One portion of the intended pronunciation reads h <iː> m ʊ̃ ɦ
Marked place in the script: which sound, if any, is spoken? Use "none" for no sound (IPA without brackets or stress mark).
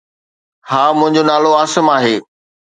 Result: aː